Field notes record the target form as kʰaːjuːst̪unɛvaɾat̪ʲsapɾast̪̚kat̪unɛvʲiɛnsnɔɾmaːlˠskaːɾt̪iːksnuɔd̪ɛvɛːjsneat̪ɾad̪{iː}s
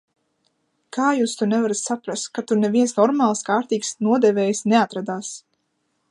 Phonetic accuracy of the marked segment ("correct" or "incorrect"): incorrect